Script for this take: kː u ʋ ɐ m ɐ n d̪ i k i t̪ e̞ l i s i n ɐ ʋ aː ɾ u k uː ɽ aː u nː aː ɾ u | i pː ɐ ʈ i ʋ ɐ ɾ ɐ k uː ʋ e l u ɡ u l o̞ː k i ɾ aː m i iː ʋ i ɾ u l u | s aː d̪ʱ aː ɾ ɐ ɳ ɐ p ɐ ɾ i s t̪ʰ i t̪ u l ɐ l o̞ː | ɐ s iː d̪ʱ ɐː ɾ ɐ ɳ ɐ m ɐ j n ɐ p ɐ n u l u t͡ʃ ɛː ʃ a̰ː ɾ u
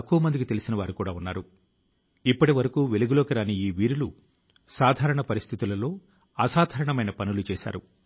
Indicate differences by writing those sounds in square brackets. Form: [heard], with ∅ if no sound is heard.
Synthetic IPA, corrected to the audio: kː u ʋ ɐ m ɐ n d̪ i k i t̪ e̞ l i s i n ɐ ʋ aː ɾ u k uː ɽ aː u nː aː ɾ u | i pː ɐ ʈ i ʋ ɐ ɾ ɐ k uː ʋ e l u ɡ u l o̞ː k i ɾ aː [n] i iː ʋ [iː] ɾ u l u | s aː d̪ʱ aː ɾ ɐ ɳ ɐ p ɐ ɾ i s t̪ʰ i t̪ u l ɐ l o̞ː | ɐ s [aː] d̪ʱ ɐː ɾ ɐ ɳ ɐ m ɐ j n ɐ p ɐ n u l u t͡ʃ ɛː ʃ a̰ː ɾ u